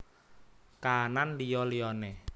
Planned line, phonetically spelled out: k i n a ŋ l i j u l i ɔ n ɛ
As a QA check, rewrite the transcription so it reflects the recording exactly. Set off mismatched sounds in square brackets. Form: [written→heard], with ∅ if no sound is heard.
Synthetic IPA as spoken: k [i→a] n a [ŋ→n] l i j [u→ɔ] l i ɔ n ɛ